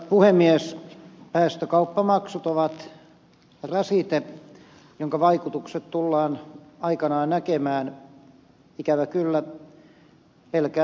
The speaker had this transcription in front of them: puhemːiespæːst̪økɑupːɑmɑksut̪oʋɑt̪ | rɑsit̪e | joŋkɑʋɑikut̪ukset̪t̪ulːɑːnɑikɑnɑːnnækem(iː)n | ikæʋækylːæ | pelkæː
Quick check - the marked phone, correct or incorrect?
incorrect